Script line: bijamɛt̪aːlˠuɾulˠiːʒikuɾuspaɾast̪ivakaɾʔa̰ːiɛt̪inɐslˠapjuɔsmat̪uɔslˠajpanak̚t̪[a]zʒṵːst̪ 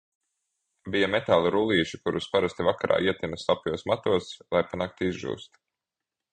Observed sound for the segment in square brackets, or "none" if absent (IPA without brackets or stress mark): i